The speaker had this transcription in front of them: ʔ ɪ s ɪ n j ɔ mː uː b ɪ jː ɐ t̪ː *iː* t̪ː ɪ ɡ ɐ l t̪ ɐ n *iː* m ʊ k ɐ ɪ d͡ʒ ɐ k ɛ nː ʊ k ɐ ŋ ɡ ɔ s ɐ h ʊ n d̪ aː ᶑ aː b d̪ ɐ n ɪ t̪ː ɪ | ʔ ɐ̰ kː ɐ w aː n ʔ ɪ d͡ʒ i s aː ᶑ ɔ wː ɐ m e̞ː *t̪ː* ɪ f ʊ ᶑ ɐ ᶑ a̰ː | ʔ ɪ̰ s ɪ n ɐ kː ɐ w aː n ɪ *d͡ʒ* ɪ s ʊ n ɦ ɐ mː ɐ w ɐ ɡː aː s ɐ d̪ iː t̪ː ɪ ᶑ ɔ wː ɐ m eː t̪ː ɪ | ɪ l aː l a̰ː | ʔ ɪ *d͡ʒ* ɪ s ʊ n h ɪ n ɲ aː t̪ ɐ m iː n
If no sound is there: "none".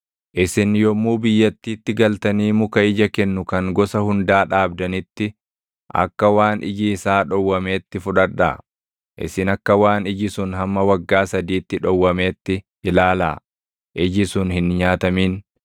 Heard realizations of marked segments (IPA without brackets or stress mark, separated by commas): iː, iː, t̪ː, d͡ʒ, d͡ʒ